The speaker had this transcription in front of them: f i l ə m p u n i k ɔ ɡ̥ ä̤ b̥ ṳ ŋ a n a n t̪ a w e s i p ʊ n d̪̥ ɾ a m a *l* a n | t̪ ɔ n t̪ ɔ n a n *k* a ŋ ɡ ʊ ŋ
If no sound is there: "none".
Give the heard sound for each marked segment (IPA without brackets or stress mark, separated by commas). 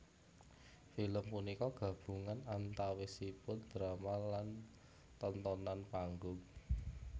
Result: l, p